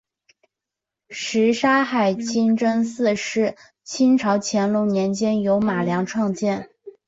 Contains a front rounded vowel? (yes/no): no